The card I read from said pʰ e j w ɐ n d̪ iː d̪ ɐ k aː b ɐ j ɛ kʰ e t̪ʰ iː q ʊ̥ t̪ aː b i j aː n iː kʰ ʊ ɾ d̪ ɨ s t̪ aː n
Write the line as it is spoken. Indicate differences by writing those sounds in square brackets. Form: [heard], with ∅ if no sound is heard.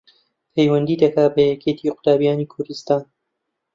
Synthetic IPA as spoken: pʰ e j w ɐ n d̪ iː d̪ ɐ k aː b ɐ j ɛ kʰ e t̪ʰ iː q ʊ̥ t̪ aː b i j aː n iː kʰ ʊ ɾ d̪ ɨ s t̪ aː n